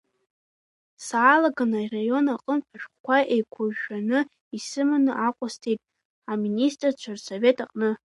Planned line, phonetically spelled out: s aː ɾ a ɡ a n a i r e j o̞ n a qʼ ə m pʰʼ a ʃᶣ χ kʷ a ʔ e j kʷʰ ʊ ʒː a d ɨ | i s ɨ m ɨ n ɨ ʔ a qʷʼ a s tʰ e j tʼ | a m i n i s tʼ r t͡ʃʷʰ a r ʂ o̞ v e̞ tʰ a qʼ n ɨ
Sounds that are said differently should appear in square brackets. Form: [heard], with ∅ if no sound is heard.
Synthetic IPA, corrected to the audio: s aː [l] a ɡ a n a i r [a] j o̞ n a qʼ ə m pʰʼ a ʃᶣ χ kʷ a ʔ e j kʷʰ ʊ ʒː a [n] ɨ | i s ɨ m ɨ n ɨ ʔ a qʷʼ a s tʰ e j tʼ | a m i n i s tʼ r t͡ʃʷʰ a r [s] o̞ v e̞ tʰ a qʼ n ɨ

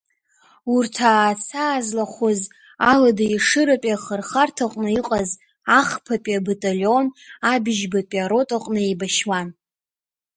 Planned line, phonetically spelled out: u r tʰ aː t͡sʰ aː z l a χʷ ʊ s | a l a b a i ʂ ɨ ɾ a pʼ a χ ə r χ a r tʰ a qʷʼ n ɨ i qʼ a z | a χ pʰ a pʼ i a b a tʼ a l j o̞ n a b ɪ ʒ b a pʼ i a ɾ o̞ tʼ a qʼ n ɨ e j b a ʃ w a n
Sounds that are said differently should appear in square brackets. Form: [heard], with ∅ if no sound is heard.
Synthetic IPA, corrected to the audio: u r tʰ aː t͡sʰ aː z l a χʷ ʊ [z] | a l a [d] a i ʂ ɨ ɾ a pʼ a χ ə r χ a r tʰ a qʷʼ n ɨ i qʼ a z | a χ pʰ a pʼ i a b a tʼ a l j o̞ n a b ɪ ʒ b a pʼ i a ɾ o̞ tʼ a qʼ n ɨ e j b a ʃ w a n

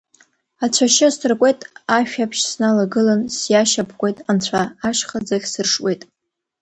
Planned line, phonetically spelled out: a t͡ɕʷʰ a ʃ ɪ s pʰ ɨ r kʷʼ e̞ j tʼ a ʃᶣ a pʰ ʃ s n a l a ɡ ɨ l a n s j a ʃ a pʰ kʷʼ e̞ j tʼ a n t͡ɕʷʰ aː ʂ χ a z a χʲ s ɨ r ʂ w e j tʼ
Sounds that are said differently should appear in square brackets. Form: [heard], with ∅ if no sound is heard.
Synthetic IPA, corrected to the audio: a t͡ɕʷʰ a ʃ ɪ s [tʰ] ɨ r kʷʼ e̞ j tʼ a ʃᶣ a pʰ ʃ s n a l a ɡ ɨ l a n s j a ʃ a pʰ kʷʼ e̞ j tʼ a n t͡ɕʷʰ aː [ʃ] χ a [d͡z] a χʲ s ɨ r ʂ w e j tʼ

